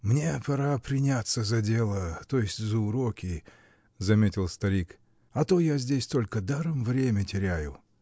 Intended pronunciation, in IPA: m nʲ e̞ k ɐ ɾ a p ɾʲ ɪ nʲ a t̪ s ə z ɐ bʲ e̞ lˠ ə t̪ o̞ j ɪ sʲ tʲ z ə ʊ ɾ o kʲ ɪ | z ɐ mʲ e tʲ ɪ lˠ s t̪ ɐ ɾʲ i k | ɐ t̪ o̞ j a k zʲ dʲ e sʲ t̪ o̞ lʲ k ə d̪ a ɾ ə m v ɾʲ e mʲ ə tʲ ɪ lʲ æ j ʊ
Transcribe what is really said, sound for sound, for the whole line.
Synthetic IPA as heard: m nʲ e̞ p ɐ ɾ a p ɾʲ ɪ nʲ a t̪ s ə z ɐ dʲ e̞ lˠ ə t̪ o̞ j ɪ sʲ tʲ z ə ʊ ɾ o kʲ ɪ | z ɐ mʲ e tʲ ɪ lˠ s t̪ ɐ ɾʲ i k | ɐ t̪ o̞ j a zʲ dʲ e sʲ t̪ o̞ lʲ k ə d̪ a ɾ ə m v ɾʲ e mʲ ə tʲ ɪ ɾʲ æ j ʊ